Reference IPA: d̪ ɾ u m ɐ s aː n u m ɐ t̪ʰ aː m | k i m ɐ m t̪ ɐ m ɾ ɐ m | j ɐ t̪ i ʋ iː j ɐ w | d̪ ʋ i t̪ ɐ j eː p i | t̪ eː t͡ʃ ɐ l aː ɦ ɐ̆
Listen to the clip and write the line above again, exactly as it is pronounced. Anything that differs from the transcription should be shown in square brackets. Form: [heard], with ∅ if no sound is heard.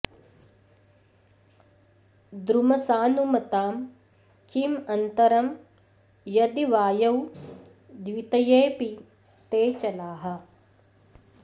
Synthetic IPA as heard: d̪ ɾ u m ɐ s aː n u m ɐ [t̪] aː m | k i m ɐ [n] t̪ ɐ [∅] ɾ ɐ m | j ɐ [d̪] i ʋ [aː] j ɐ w | d̪ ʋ i t̪ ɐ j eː p i | t̪ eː t͡ʃ ɐ l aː ɦ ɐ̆